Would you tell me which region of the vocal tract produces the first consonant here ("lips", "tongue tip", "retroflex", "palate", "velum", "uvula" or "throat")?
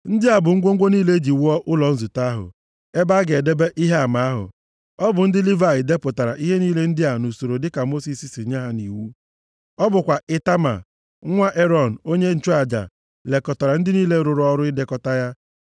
tongue tip